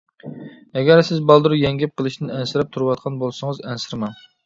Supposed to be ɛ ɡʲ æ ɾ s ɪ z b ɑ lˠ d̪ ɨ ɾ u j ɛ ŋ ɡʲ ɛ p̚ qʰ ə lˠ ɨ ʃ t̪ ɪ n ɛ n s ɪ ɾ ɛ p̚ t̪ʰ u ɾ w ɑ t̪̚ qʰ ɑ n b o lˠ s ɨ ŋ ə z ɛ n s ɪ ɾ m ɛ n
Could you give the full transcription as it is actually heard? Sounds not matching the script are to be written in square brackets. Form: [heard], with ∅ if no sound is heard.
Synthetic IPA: ɛ ɡʲ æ ɾ s ɪ z b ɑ lˠ d̪ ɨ ɾ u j ɛ ŋ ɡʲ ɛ p̚ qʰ ə lˠ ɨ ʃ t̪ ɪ n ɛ n s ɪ ɾ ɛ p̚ t̪ʰ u ɾ w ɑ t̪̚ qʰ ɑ n b o lˠ s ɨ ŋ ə z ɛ n s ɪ ɾ m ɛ n